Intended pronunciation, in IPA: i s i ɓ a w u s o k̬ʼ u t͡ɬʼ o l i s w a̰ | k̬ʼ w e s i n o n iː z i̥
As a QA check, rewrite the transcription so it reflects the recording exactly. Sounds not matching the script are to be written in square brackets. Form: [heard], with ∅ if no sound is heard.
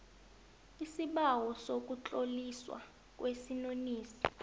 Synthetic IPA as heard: i s i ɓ a w [ɔ] s o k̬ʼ u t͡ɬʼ o l i s w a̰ | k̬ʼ w e s i n o n iː [s] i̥